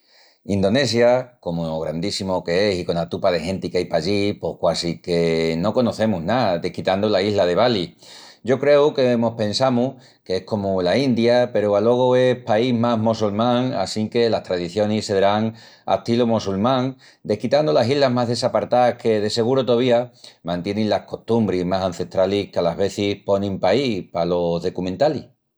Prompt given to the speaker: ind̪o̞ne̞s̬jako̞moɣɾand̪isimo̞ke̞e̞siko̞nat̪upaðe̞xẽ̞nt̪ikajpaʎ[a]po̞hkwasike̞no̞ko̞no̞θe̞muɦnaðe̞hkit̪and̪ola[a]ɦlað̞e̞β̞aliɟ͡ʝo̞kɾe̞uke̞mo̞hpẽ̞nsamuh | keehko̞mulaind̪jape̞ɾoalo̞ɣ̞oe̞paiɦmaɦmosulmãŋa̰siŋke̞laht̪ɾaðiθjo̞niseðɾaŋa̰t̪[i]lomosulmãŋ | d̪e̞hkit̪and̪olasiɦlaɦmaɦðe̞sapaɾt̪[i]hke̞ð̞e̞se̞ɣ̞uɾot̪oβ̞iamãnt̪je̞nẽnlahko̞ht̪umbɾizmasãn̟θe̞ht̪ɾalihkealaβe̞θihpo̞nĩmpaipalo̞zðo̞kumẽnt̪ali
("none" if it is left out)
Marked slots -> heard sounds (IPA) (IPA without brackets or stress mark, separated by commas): i, i, i, a